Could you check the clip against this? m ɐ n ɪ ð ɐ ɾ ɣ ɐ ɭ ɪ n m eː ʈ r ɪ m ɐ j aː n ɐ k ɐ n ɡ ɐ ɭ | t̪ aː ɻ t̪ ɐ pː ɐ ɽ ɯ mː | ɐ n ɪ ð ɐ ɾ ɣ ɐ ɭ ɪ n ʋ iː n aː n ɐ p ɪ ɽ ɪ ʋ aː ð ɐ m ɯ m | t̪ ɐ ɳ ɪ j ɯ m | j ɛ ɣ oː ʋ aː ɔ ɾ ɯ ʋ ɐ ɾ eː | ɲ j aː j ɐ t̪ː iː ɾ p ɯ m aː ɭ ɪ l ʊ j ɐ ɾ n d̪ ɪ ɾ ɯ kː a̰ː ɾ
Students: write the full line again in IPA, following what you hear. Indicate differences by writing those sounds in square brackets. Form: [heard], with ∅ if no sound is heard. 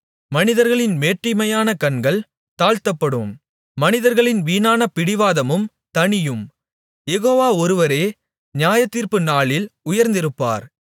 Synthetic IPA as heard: m ɐ n ɪ ð ɐ ɾ ɣ ɐ ɭ ɪ n m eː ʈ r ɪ m ɐ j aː n ɐ k ɐ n ɡ ɐ ɭ | t̪ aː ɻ t̪ ɐ pː ɐ ɽ ɯ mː | ɐ n ɪ ð ɐ ɾ ɣ ɐ ɭ ɪ n ʋ iː n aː n ɐ p ɪ ɽ ɪ ʋ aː ð ɐ m ɯ m | t̪ ɐ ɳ ɪ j ɯ m | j ɛ ɣ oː ʋ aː ɔ ɾ ɯ ʋ ɐ ɾ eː | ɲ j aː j ɐ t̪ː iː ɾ p ɯ [n] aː ɭ ɪ l ʊ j ɐ ɾ n d̪ ɪ ɾ ɯ [pː] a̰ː ɾ